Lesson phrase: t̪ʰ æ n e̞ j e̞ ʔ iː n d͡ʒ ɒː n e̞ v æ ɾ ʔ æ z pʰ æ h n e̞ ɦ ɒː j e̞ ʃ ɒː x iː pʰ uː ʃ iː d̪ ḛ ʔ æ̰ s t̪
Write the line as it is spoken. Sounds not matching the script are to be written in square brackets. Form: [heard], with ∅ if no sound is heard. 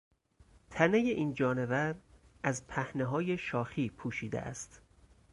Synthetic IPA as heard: t̪ʰ æ n e̞ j e̞ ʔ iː n d͡ʒ ɒː n e̞ v æ ɾ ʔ æ z pʰ æ h n e̞ ɦ ɒː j e̞ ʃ ɒː x iː pʰ uː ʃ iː d̪ ḛ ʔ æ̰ s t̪